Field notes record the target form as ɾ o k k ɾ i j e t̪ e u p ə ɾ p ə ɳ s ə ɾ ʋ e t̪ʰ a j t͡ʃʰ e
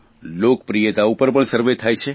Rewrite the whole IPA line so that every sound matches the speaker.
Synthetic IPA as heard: l o k p ɾ i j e t̪ a u p ə ɾ p ə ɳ s ə ɾ ʋ e t̪ʰ a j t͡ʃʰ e